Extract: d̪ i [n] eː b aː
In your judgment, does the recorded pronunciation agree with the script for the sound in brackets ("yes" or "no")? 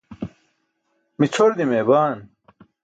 no